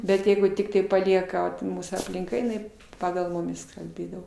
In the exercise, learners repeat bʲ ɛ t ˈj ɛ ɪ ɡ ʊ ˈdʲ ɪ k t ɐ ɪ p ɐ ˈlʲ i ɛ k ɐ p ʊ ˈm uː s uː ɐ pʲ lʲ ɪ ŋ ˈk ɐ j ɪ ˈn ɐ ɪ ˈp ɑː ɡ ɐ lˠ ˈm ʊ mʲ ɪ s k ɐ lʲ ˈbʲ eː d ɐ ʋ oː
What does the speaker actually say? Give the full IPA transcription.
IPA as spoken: bʲ ɛ t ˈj ɛ ɪ ɡ ʊ ˈtʲ ɪ k t ɐ ɪ p ɐ ˈlʲ i ɛ k ɐ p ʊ ˈm uː s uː ɐ pʲ lʲ ɪ ŋ ˈk ɐ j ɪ ˈn ɐ ɪ ˈp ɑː ɡ ɐ lˠ ˈm ʊ mʲ ɪ s k ɐ lʲ ˈbʲ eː d ɐ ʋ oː